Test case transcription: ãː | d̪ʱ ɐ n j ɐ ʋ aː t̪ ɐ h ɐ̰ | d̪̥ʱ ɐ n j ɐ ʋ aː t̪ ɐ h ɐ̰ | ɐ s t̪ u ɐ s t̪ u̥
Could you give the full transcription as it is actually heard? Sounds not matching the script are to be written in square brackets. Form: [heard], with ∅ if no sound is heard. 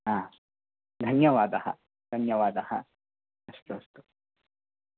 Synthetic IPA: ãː | d̪ʱ ɐ n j ɐ ʋ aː [d̪] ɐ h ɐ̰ | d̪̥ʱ ɐ n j ɐ ʋ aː [d̪] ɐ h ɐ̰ | ɐ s t̪ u ɐ s t̪ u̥